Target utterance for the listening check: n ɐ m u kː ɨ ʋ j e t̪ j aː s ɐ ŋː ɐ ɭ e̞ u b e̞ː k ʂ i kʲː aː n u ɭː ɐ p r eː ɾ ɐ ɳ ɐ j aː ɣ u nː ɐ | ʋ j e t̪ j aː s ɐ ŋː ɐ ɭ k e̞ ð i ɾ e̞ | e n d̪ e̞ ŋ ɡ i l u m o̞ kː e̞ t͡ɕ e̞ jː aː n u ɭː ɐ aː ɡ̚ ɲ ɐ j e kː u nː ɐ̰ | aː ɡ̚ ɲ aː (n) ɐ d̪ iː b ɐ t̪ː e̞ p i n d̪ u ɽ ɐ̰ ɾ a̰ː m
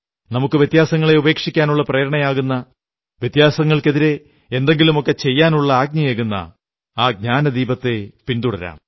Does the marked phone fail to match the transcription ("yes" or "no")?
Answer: no